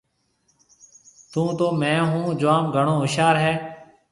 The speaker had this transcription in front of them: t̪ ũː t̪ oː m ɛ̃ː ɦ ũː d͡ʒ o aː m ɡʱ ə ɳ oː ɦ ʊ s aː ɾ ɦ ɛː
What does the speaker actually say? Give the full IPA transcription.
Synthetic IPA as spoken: t̪ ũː t̪ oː m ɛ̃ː ɦ ũː d͡ʒ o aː m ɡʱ ə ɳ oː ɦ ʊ ʃ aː ɾ ɦ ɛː